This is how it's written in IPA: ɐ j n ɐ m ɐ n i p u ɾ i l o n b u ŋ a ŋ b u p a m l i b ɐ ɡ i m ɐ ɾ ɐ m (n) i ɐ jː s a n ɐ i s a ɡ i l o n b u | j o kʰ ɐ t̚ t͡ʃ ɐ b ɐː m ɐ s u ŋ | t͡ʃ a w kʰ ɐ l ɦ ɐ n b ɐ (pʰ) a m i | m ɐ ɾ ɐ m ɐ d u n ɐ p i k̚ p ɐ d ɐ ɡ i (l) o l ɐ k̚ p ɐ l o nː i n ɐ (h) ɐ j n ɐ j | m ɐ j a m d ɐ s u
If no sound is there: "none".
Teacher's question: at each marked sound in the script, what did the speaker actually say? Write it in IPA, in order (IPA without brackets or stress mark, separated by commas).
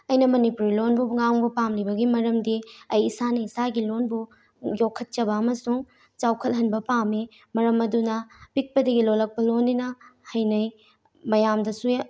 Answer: d, p, l, h